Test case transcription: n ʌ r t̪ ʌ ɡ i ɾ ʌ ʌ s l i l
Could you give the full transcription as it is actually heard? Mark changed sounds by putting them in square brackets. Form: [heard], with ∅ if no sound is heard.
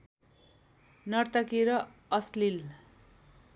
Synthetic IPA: n ʌ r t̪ ʌ [k] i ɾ ʌ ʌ s l i l